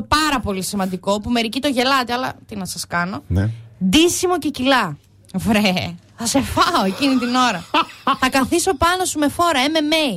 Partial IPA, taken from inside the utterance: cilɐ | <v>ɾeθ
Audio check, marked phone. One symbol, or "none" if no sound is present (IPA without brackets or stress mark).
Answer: v